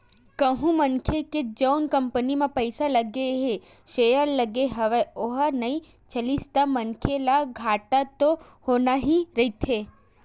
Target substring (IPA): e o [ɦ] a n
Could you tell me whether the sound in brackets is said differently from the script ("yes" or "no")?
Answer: no